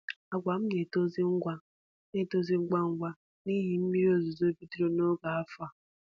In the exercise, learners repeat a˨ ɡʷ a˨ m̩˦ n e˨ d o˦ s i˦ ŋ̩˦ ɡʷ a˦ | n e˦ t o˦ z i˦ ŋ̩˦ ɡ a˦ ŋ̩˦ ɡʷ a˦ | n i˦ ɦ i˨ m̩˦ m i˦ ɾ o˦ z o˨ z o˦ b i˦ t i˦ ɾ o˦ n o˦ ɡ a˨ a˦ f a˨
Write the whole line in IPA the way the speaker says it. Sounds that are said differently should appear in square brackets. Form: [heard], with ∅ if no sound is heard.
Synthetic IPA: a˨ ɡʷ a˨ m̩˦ n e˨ [t] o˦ [z] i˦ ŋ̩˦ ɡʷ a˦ | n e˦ t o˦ z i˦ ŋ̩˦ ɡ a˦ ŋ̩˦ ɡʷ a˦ | n i˦ ɦ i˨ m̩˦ m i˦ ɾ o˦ z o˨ z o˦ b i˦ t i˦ ɾ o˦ n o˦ ɡ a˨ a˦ f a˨